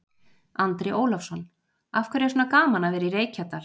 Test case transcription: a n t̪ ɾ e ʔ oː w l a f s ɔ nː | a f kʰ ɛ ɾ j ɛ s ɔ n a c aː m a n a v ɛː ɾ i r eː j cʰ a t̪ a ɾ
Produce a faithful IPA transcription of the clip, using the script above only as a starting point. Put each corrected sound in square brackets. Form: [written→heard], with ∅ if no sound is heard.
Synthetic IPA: a n t̪ ɾ e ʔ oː w l a f s ɔ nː | a f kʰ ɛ ɾ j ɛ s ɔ n a [c→k] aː m a n a v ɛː ɾ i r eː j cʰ a t̪ a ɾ